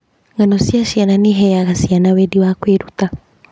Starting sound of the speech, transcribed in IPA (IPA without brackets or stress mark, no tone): ŋ